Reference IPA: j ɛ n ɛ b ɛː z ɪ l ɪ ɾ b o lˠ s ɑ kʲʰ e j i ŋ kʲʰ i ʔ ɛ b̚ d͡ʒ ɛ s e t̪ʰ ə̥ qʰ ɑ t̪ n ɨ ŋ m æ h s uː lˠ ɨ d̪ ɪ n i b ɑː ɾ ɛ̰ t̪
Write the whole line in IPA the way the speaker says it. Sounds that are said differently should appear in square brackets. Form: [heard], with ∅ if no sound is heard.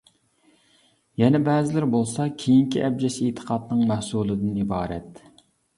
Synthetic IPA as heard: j ɛ n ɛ b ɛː z ɪ l ɪ ɾ b o lˠ s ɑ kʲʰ e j i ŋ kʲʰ i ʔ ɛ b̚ d͡ʒ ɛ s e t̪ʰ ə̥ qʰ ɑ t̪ n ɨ ŋ m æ h s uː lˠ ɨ d̪ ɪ n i b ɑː ɾ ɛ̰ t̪